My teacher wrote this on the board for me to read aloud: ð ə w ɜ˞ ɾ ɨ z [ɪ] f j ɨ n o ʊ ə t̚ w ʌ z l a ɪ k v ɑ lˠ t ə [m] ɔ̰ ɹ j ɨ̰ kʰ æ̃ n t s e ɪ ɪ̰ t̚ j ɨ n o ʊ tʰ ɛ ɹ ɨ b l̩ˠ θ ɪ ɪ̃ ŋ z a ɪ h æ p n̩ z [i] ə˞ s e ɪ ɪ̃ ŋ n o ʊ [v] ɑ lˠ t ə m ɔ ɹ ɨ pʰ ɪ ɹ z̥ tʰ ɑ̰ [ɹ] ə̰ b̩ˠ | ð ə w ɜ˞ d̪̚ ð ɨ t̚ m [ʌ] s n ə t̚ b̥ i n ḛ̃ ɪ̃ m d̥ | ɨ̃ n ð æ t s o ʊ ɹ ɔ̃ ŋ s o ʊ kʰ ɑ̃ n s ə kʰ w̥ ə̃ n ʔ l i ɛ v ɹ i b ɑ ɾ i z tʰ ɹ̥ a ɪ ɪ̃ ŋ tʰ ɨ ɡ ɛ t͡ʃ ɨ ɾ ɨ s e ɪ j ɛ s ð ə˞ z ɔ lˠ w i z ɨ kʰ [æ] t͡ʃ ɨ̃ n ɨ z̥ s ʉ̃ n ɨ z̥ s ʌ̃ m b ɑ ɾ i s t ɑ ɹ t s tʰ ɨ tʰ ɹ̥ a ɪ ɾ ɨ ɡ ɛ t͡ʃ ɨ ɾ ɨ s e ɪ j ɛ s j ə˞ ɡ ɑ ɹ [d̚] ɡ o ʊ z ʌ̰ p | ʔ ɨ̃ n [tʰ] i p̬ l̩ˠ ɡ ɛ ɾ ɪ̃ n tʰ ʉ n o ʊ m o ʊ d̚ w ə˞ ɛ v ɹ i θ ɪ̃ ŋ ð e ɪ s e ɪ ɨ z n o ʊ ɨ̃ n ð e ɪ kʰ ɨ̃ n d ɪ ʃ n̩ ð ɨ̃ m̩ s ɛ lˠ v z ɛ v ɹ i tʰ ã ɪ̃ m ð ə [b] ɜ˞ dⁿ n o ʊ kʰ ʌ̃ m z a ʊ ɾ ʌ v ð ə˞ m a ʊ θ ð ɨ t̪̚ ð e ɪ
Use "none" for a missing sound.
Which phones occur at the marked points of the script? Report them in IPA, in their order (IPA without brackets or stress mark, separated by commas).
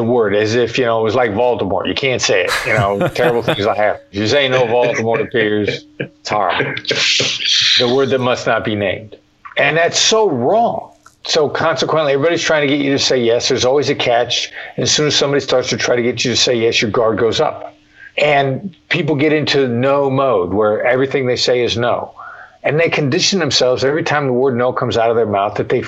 ɪ, m, j, v, ɹ, ʌ, æ, d̚, pʰ, w